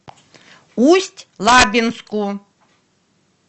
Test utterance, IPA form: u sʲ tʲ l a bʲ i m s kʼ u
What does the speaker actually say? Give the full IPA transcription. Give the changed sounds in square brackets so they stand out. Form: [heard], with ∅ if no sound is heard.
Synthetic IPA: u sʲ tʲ l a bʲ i [n] s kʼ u

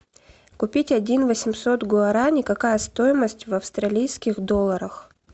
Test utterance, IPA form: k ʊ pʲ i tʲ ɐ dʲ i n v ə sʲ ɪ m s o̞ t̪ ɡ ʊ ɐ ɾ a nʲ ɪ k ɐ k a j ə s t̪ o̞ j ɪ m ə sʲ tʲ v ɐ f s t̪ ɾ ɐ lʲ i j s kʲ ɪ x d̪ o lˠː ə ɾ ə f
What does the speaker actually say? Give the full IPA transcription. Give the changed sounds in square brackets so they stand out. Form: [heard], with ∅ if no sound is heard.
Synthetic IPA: k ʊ pʲ i tʲ ɐ dʲ i n v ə sʲ ɪ m s o̞ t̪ ɡ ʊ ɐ ɾ a nʲ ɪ k ɐ k a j ə s t̪ o̞ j ɪ m ə sʲ tʲ v ɐ f s t̪ ɾ ɐ lʲ i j s kʲ ɪ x d̪ o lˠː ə ɾ ə [x]

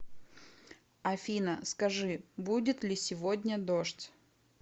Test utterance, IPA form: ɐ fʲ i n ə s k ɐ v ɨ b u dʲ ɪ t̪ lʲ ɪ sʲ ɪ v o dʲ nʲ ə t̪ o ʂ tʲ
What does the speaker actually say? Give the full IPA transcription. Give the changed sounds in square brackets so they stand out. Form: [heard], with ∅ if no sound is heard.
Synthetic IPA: ɐ fʲ i n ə s k ɐ [ʐ] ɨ b u dʲ ɪ t̪ lʲ ɪ sʲ ɪ v o dʲ nʲ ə [d̪] o ʂ tʲ

